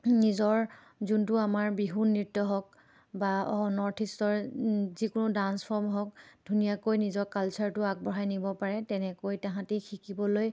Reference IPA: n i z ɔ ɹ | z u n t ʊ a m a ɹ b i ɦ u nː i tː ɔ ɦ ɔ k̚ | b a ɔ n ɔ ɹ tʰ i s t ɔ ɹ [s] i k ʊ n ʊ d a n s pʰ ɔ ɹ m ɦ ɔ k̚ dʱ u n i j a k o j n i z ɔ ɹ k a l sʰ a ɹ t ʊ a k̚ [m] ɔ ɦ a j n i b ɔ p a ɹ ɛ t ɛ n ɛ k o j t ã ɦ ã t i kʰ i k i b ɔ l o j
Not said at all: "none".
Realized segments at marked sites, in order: z, b

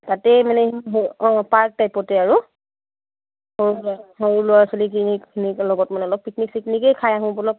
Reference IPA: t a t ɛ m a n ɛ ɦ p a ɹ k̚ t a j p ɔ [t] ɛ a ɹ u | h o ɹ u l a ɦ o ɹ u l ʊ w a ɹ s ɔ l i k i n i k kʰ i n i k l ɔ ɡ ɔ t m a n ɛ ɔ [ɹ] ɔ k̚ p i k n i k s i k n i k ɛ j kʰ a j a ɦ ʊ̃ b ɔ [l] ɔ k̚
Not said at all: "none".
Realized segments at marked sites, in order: t, l, l

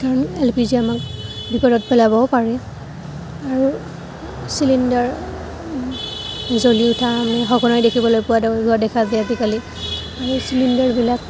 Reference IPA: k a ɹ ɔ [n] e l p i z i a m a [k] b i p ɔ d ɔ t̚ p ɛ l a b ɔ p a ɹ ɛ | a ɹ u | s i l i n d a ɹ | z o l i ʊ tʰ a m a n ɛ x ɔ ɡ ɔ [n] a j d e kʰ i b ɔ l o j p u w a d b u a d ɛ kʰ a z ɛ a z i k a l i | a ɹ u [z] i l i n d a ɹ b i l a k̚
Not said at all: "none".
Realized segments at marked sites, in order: n, k, n, s

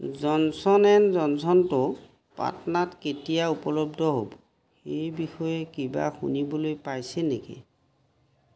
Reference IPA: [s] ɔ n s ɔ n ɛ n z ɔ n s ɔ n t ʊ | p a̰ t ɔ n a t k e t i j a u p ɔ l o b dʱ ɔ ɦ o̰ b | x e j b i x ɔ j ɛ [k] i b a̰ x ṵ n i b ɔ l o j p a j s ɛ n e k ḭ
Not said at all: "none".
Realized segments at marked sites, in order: z, k

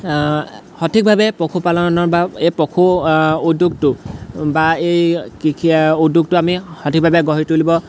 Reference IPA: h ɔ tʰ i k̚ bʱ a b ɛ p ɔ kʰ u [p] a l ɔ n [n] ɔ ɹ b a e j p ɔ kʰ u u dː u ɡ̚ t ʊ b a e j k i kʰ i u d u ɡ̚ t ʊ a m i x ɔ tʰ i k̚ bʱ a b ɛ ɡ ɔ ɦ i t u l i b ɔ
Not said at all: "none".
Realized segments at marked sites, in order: p, n

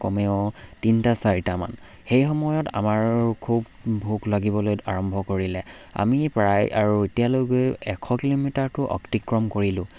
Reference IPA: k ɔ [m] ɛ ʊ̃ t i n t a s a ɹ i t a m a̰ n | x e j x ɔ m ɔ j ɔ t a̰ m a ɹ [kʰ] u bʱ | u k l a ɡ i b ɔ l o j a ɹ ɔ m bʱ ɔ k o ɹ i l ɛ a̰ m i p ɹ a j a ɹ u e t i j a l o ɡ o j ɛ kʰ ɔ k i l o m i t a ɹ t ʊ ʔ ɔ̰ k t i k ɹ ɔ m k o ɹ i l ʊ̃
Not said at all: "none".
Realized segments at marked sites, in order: m, kʰ

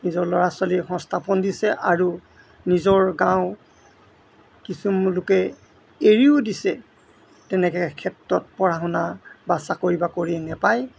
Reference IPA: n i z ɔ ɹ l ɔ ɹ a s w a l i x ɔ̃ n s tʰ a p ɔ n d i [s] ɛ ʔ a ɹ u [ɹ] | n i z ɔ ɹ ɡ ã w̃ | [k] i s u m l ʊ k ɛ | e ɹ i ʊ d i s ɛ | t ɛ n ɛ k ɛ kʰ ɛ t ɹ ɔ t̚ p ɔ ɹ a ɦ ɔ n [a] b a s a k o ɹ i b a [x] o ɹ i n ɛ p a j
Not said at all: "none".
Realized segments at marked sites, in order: s, none, k, a, k

